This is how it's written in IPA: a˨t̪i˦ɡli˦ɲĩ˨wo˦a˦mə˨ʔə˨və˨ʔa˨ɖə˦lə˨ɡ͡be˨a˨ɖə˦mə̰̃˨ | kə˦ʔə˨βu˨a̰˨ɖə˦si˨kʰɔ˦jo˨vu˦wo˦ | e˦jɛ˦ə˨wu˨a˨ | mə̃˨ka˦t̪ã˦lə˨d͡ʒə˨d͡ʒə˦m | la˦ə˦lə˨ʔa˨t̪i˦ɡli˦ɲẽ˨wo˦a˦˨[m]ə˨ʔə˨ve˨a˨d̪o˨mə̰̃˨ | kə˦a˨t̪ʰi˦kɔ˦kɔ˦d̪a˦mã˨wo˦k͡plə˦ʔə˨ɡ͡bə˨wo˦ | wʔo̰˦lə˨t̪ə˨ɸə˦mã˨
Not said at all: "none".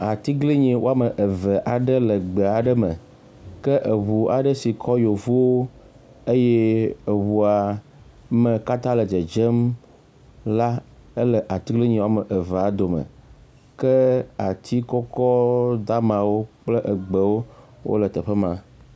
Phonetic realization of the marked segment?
m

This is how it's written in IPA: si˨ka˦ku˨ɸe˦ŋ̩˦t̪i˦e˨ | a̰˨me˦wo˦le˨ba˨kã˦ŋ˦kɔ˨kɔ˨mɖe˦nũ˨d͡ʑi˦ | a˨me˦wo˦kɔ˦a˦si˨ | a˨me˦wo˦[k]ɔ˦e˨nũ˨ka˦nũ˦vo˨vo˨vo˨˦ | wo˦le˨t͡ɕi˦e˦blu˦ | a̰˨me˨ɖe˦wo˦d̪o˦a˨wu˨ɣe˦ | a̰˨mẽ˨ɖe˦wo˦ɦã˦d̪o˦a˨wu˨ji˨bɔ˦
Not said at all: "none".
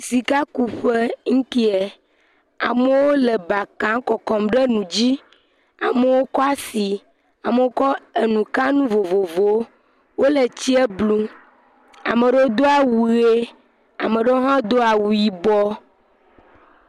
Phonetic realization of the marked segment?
k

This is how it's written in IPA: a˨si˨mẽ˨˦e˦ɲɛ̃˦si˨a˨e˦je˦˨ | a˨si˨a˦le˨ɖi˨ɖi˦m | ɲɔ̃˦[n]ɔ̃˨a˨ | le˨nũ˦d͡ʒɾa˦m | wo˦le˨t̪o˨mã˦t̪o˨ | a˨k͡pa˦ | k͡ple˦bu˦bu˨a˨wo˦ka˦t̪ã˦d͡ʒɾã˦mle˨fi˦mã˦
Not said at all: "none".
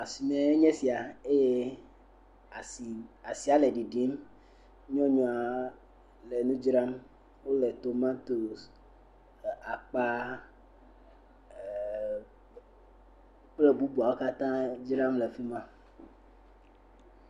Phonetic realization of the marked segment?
ɲ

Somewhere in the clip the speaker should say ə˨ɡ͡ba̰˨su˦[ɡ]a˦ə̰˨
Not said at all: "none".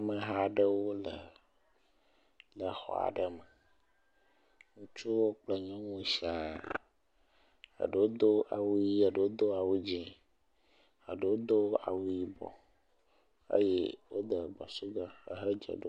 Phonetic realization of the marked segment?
ɡ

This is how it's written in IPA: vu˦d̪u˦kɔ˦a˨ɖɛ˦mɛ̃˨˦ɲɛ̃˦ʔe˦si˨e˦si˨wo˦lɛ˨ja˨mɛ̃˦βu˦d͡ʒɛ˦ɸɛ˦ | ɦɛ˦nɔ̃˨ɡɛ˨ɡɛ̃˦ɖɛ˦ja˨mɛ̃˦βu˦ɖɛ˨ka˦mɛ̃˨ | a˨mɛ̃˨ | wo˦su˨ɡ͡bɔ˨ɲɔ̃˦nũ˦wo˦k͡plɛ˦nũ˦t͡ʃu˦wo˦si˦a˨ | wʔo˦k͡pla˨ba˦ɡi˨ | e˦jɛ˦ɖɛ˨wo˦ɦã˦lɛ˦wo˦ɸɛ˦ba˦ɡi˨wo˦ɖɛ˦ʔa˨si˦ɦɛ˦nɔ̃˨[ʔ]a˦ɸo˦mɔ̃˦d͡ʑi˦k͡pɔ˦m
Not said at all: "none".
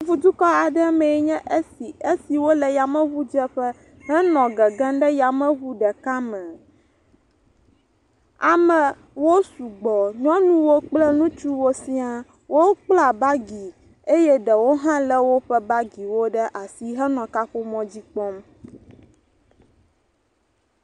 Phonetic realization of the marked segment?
k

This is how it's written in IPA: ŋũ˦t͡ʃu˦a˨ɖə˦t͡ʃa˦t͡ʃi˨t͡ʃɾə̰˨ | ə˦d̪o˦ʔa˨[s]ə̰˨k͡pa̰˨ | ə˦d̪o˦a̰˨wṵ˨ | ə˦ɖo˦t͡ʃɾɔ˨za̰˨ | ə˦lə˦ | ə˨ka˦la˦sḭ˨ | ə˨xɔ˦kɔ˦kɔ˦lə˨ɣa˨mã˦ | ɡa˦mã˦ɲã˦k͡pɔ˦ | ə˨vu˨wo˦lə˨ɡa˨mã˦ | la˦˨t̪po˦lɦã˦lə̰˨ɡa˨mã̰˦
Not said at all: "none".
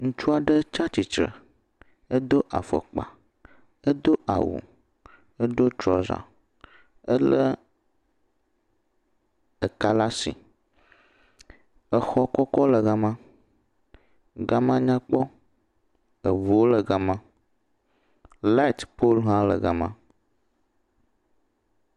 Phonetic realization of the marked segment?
f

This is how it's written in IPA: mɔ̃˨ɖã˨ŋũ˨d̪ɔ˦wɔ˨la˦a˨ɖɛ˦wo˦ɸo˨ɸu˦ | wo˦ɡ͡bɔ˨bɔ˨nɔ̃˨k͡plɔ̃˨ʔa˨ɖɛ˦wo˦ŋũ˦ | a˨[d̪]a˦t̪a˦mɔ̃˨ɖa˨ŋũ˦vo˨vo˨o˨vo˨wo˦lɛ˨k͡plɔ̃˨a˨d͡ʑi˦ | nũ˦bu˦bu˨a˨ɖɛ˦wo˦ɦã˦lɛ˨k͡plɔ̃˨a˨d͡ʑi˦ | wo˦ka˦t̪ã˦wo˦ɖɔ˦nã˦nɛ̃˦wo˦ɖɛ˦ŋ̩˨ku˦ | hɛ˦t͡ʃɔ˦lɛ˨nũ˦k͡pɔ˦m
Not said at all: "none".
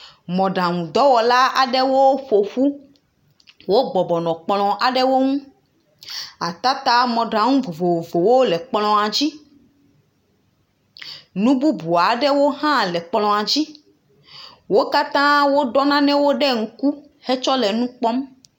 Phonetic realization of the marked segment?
t̪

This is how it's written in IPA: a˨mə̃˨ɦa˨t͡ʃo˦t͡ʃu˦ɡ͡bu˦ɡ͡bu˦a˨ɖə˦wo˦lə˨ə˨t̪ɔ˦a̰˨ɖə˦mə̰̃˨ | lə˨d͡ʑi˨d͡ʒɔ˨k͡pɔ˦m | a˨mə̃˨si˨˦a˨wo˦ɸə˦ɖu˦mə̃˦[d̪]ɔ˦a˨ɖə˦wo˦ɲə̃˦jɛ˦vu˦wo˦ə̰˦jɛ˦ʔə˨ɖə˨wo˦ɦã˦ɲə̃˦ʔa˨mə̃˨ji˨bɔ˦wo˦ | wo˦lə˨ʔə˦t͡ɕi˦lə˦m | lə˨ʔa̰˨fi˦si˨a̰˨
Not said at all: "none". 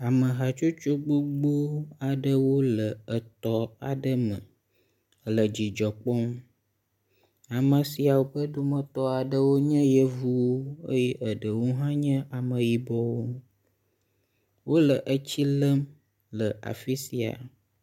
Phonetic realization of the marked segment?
t̪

